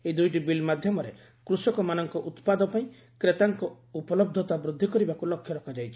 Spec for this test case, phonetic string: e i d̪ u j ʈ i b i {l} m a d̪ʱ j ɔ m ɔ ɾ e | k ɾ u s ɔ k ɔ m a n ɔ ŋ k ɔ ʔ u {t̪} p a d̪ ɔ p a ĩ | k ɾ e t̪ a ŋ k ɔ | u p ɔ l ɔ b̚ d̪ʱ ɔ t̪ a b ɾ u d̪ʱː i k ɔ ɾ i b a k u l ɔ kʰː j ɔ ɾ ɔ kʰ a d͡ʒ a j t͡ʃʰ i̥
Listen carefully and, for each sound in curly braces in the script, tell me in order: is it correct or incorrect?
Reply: correct, correct

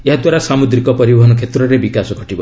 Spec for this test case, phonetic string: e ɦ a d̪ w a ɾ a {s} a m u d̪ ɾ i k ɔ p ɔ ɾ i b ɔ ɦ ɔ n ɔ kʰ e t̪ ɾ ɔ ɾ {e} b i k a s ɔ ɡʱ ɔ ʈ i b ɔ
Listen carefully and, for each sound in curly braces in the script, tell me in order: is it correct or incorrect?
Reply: correct, correct

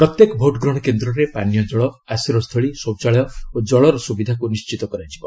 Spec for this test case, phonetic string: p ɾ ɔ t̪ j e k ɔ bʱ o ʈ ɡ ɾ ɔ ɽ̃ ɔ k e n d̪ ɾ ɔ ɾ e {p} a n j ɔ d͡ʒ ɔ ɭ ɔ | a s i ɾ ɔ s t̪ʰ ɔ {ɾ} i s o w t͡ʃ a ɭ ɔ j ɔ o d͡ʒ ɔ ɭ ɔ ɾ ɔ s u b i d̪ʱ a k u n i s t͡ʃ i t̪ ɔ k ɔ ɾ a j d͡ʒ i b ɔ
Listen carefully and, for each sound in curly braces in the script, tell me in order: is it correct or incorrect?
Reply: correct, incorrect: ɭ

